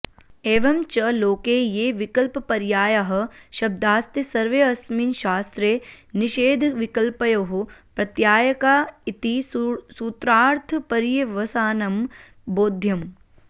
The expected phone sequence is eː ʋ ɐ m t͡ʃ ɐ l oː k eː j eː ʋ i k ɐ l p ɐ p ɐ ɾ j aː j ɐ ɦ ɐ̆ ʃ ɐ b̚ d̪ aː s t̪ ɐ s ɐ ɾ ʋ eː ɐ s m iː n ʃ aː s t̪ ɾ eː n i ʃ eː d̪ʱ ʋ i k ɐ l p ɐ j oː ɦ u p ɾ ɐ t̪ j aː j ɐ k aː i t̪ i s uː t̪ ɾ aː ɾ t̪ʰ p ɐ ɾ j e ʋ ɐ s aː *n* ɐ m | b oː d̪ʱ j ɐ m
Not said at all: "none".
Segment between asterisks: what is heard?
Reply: n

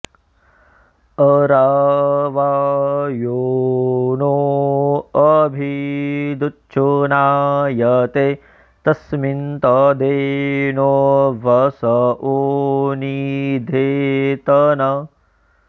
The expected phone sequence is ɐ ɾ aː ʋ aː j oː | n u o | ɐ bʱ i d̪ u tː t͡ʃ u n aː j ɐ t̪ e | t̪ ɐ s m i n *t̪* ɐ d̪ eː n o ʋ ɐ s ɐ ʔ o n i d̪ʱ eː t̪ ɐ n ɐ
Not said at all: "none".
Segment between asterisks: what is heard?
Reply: t̪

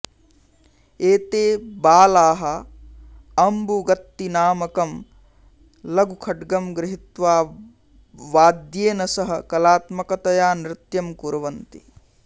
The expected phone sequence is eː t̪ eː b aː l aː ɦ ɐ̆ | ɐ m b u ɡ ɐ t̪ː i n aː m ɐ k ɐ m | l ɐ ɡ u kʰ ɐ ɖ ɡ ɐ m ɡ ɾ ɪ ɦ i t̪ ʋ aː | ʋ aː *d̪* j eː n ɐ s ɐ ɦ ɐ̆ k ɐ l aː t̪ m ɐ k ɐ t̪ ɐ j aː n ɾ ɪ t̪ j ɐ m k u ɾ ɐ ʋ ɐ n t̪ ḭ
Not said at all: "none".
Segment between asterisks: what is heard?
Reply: d̪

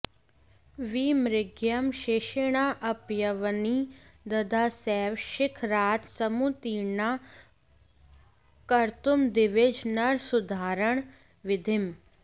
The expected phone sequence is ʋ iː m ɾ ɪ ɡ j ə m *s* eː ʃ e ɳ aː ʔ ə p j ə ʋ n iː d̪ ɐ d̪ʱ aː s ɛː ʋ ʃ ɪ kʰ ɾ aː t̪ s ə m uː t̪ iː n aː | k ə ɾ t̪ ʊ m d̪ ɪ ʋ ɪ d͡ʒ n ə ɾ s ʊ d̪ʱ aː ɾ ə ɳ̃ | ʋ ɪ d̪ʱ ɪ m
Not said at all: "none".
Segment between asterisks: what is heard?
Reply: ʃ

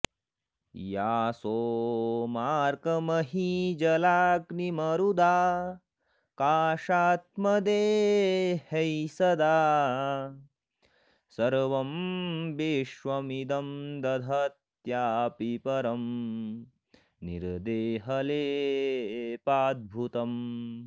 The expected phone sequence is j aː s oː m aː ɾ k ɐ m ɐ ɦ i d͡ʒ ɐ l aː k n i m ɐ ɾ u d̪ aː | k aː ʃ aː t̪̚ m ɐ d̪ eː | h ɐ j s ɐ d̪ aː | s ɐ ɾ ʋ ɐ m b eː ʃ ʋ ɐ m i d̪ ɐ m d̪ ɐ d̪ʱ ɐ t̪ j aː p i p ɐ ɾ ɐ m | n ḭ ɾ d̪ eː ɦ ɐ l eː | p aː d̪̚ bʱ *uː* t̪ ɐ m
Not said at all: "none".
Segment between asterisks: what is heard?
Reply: u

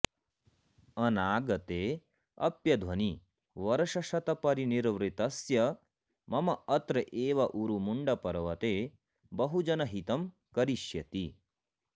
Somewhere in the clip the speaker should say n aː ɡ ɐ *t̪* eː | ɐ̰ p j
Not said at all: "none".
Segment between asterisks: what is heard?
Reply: t̪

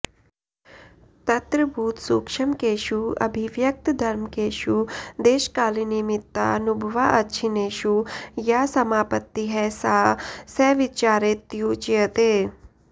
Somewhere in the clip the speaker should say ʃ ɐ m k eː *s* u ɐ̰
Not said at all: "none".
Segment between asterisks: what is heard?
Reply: ʃ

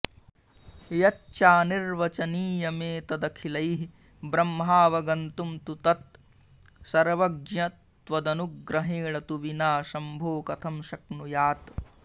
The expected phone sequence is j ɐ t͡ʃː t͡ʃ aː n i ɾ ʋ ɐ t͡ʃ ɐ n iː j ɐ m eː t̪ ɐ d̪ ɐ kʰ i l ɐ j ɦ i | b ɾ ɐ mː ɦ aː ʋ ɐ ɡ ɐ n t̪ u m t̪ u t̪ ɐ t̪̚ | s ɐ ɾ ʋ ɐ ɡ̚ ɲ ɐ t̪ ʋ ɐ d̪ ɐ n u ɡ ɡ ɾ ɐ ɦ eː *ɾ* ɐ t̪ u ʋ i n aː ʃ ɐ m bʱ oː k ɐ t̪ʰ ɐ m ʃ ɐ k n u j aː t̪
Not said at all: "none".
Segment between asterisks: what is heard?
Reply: ɭ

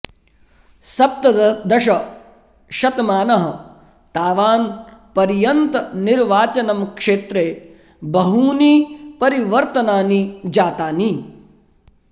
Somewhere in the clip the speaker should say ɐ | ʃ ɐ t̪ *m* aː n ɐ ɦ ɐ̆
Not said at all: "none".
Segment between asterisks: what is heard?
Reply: m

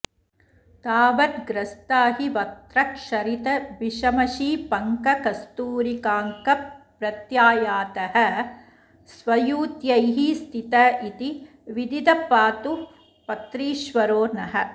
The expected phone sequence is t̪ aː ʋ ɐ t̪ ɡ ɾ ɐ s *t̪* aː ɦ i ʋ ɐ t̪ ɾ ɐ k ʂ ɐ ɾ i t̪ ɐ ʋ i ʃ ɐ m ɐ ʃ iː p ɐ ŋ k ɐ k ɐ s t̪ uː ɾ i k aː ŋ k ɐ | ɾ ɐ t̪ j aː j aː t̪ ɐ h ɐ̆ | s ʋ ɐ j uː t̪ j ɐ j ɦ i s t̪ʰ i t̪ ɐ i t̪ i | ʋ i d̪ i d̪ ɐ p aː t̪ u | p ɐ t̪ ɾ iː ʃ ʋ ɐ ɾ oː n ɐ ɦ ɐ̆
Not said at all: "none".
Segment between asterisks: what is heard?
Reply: t̪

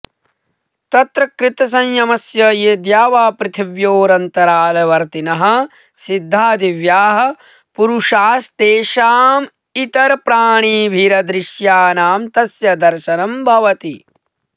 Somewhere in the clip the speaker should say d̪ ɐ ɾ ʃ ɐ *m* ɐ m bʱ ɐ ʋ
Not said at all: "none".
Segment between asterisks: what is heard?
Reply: n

